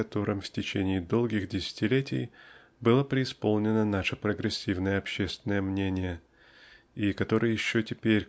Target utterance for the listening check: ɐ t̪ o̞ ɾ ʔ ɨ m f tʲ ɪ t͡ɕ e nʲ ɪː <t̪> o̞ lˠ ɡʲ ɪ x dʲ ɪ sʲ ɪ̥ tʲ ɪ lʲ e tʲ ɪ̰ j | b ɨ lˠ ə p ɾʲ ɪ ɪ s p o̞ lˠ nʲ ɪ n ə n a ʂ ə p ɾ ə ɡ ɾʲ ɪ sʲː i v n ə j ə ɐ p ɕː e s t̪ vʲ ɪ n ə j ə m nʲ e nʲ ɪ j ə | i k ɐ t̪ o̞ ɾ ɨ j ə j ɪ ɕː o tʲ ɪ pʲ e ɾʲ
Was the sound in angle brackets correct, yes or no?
no